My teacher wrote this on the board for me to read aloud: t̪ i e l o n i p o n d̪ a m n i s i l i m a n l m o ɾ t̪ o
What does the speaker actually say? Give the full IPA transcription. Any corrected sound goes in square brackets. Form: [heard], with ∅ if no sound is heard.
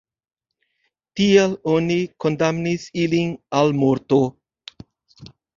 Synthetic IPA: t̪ i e l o n i [k] o n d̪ a m n i s i l i [n] a [∅] l m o ɾ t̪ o

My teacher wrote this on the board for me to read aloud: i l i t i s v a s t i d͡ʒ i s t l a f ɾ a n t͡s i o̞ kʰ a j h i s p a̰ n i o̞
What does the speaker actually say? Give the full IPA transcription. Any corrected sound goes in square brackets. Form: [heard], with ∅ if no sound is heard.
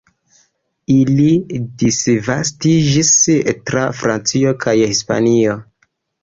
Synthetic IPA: i l i [d] i s v a s t i d͡ʒ i s t [ɾ] a f ɾ a n t͡s i o̞ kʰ a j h i s p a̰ n i o̞

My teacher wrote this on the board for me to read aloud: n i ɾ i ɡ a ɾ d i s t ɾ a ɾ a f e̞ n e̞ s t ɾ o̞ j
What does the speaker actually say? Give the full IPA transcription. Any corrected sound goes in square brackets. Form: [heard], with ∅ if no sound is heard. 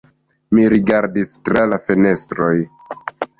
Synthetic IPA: [m] i ɾ i ɡ a ɾ d i s t ɾ a [l] a f e̞ n e̞ s t ɾ o̞ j

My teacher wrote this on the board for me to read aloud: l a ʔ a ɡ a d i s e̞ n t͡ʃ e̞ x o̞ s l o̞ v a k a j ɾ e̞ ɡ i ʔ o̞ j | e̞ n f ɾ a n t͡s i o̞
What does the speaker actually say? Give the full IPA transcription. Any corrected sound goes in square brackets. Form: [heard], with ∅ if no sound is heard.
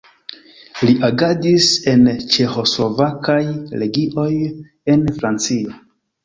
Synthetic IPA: l [i] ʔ a ɡ a d i s e̞ n t͡ʃ e̞ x o̞ s l o̞ v a k a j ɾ e̞ ɡ i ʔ o̞ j | e̞ n f ɾ a n t͡s i o̞

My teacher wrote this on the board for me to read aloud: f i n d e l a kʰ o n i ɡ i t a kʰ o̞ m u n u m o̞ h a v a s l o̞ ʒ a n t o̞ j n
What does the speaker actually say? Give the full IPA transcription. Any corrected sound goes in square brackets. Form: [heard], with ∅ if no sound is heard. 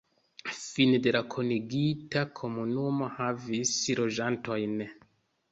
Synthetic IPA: f i n d e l a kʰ o n i ɡ i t a kʰ o̞ m u n u m o̞ h a v [i] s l o̞ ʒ a n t o̞ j n

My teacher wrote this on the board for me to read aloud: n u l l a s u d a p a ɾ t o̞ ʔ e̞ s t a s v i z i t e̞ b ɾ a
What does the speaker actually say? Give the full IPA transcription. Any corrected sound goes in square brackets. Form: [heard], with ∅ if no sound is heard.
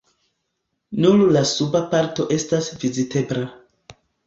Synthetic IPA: n u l l a s u [b] a p a ɾ t o̞ ʔ e̞ s t a s v i z i t e̞ b ɾ a

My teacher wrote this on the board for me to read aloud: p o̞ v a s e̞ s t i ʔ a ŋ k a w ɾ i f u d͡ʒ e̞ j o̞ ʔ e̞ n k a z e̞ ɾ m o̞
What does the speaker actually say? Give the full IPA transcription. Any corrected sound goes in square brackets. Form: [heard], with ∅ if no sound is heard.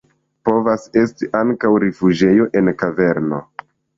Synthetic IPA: p o̞ v a s e̞ s t i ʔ a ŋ k a w ɾ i f u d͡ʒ e̞ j o̞ ʔ e̞ n k a [v] e̞ ɾ [n] o̞

